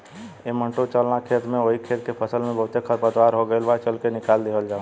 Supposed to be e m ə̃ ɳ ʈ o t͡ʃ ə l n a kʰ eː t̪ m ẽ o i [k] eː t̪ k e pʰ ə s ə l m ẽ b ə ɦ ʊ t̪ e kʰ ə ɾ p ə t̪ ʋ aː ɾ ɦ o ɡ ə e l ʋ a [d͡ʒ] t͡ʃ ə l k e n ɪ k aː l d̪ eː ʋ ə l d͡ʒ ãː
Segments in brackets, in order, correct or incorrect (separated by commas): incorrect, incorrect